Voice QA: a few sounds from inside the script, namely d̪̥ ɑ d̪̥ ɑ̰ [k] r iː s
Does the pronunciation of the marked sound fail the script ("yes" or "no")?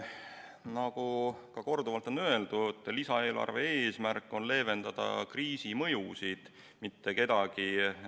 no